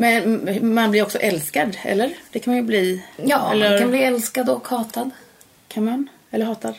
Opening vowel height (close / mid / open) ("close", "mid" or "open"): mid